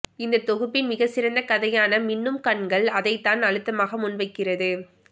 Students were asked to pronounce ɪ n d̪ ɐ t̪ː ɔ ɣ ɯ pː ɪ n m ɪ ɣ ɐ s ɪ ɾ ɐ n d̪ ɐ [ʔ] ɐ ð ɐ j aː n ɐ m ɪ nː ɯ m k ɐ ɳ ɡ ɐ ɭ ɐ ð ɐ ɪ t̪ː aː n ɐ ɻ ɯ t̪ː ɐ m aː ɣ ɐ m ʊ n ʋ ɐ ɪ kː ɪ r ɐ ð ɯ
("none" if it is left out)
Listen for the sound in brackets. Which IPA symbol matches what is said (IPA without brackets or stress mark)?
k